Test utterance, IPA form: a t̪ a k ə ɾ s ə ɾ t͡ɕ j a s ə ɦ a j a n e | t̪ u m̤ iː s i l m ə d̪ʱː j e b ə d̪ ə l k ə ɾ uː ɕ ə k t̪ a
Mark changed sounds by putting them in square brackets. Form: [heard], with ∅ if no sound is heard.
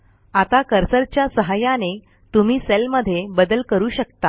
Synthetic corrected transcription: a t̪ a k ə ɾ s ə ɾ t͡ɕ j a s ə ɦ a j a n e | t̪ u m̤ iː s [e] l m ə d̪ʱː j e b ə d̪ ə l k ə ɾ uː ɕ ə k t̪ a